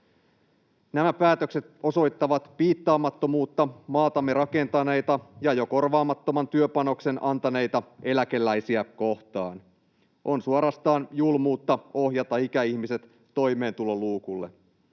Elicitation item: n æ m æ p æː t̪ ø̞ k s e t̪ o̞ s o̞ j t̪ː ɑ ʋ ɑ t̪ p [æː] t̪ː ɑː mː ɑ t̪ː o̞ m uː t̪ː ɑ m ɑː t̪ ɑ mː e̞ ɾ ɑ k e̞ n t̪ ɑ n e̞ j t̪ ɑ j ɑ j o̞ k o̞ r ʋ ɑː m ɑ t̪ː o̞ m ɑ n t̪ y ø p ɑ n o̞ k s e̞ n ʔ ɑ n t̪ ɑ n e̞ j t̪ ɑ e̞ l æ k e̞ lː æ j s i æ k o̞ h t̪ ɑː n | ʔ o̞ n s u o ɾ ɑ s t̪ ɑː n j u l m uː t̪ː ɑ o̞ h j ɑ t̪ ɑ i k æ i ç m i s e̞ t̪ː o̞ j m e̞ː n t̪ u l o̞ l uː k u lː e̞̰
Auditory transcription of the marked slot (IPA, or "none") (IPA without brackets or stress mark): iː